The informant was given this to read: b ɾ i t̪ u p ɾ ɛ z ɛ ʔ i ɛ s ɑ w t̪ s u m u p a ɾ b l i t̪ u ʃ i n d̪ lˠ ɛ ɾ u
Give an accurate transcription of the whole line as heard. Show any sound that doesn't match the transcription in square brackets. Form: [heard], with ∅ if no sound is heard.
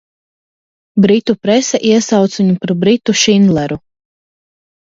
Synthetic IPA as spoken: b ɾ i t̪ u p ɾ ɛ [s] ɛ ʔ i ɛ s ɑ w t̪ s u [ɲ] u p a ɾ b [ɾ] i t̪ u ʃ i n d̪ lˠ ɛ ɾ u